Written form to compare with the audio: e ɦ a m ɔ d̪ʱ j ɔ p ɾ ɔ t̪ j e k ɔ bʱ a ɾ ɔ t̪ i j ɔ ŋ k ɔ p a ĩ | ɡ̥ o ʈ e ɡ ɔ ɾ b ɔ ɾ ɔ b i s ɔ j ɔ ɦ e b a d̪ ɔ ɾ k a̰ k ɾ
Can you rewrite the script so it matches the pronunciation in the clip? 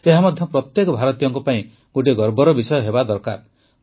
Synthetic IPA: e ɦ a m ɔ d̪ʱ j ɔ p ɾ ɔ t̪ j e k ɔ bʱ a ɾ ɔ t̪ i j ɔ ŋ k ɔ p a ĩ | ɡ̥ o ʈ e ɡ ɔ ɾ b ɔ ɾ ɔ b i s ɔ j ɔ ɦ e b a d̪ ɔ ɾ k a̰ ɾ